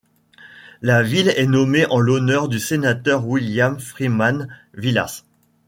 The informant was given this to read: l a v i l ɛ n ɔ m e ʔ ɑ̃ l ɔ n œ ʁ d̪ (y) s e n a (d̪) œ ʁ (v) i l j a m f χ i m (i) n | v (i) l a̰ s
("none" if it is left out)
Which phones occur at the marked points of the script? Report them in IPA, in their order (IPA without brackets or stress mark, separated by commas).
y, t̪, w, a, i